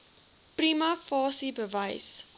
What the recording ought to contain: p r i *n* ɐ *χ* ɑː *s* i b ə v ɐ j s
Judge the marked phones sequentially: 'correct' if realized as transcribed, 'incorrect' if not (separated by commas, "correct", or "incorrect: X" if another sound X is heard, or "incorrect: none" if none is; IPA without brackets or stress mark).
incorrect: m, incorrect: f, correct